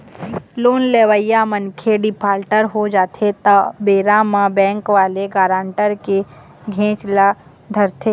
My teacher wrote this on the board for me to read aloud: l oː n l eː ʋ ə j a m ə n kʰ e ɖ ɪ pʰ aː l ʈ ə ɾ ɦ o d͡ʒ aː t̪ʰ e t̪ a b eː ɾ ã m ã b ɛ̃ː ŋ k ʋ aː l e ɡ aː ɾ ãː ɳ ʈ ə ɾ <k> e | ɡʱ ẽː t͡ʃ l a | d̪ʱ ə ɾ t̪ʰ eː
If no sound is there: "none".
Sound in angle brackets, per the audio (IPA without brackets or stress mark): k